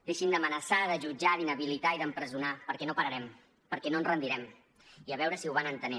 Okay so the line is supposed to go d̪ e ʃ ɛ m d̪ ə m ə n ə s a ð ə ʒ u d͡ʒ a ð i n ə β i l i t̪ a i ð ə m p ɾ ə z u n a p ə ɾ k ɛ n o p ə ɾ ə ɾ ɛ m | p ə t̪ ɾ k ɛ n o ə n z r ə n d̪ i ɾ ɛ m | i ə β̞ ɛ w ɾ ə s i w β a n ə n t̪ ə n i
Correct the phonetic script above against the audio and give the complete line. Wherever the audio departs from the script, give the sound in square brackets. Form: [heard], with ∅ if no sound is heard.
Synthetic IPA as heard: d̪ e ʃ [i] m d̪ ə m ə n ə s a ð ə ʒ u d͡ʒ a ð i n ə β i l i t̪ a i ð ə m p ɾ ə z u n a p ə ɾ k ɛ n o p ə ɾ ə ɾ ɛ m | p ə [∅] ɾ k ɛ n o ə n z r ə n d̪ i ɾ ɛ m | i ə β̞ ɛ w ɾ ə s i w β a n ə n t̪ ə n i